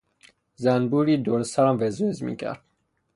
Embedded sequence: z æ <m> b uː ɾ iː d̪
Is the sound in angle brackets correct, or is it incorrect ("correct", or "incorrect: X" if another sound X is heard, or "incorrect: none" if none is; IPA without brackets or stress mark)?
incorrect: n